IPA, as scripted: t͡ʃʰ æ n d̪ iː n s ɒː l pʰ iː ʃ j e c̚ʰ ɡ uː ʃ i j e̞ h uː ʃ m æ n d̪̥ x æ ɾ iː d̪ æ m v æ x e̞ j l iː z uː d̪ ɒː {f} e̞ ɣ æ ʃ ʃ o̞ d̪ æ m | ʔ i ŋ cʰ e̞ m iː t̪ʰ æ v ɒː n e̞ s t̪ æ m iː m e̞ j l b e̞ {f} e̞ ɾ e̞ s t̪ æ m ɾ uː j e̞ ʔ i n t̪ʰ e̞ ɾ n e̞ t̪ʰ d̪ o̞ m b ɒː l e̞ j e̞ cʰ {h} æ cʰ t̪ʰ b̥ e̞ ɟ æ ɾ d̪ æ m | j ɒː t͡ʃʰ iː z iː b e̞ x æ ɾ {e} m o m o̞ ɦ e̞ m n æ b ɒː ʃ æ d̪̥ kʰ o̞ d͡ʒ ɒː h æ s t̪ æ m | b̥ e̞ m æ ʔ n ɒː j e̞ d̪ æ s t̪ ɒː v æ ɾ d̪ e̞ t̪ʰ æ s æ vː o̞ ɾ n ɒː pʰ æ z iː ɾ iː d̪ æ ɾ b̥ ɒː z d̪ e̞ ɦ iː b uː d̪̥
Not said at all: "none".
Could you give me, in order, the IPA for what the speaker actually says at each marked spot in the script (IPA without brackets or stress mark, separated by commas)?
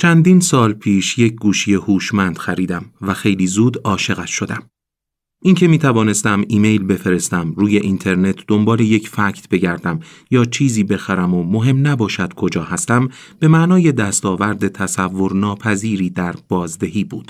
ʃ, f, f, æ